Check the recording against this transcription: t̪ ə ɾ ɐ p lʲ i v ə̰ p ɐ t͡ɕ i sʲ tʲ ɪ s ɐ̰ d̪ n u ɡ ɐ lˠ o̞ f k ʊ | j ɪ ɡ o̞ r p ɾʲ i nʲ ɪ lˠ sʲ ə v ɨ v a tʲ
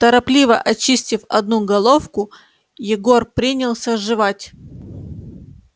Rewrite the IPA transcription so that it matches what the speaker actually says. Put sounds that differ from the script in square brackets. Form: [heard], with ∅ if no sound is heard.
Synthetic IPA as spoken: t̪ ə ɾ ɐ p lʲ i v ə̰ [ʔ] ɐ t͡ɕ i sʲ tʲ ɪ [f] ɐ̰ d̪ n u ɡ ɐ lˠ o̞ f k ʊ | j ɪ ɡ o̞ r p ɾʲ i nʲ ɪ lˠ sʲ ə [ʐ] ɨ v a tʲ